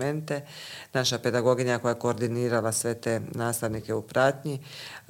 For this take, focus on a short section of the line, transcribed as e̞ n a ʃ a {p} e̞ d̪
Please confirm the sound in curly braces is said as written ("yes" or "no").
yes